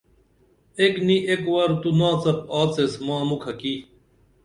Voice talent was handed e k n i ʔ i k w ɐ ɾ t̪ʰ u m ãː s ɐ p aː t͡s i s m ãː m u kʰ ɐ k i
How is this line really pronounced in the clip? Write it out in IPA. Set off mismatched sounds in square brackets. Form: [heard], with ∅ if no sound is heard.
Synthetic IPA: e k n i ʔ [e] k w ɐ ɾ [t̪] u [n] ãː [t͡s] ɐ p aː t͡s [e] s m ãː m u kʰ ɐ k i